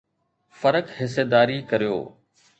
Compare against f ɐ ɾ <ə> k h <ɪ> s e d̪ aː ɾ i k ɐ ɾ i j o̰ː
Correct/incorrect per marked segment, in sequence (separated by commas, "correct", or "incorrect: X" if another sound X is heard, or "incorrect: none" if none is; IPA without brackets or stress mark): correct, correct